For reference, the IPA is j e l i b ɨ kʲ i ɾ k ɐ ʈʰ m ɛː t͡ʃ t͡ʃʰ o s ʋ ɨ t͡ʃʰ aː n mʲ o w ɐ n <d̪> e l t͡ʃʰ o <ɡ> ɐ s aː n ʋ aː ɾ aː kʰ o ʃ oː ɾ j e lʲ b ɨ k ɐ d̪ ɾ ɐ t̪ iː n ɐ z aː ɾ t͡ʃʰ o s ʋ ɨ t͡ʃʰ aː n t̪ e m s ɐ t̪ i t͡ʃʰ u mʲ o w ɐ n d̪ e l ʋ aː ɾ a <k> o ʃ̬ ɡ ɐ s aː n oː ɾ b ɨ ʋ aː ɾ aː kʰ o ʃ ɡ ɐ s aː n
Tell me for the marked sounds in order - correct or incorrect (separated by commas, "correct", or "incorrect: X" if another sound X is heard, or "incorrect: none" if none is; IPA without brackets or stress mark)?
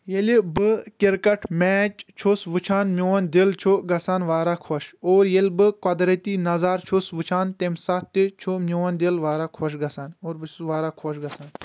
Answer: correct, correct, incorrect: kʰ